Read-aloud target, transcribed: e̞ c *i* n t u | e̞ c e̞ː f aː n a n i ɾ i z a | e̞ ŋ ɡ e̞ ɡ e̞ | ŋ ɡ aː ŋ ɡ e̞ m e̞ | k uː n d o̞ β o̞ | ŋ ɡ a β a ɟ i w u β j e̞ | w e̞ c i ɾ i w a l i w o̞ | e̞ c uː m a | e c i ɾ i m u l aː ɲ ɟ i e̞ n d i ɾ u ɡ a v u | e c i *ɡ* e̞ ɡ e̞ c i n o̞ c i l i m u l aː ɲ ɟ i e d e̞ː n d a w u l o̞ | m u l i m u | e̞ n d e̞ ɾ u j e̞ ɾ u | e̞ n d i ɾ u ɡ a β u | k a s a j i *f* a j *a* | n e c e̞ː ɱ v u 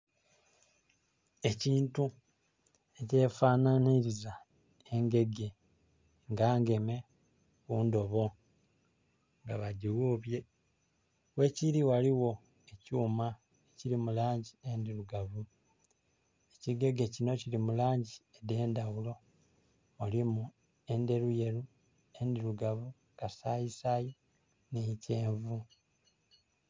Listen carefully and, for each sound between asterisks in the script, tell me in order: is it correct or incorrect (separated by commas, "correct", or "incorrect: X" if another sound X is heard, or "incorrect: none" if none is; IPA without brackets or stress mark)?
incorrect: iː, correct, incorrect: s, incorrect: i